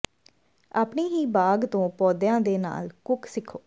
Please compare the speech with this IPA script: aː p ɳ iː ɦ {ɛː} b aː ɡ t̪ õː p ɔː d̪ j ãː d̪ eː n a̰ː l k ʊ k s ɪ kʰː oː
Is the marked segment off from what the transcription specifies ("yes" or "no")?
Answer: yes